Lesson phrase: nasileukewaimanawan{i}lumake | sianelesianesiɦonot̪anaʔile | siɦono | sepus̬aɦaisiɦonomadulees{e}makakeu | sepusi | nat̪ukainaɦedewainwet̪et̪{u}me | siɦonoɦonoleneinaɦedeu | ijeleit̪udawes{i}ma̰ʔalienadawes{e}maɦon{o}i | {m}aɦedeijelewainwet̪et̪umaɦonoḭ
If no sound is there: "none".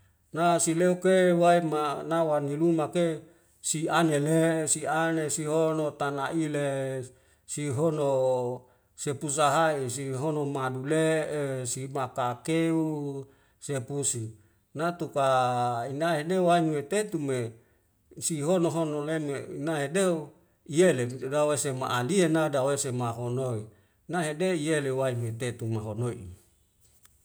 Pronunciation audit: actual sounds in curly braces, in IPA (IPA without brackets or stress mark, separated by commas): i, i, u, e, e, o, n